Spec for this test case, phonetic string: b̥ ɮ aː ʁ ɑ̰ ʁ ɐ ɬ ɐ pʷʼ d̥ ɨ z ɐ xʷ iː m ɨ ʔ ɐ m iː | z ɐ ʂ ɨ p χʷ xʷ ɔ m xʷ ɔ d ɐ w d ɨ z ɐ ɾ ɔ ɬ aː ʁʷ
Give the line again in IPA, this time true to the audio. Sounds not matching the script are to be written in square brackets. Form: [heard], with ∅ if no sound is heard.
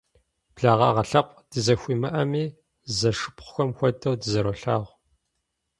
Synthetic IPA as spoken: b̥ ɮ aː ʁ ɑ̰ ʁ ɐ ɬ ɐ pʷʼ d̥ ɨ z ɐ xʷ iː m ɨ ʔ ɐ m iː | z ɐ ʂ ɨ p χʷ xʷ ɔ m xʷ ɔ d ɐ w d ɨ z ɐ ɾ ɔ ɬ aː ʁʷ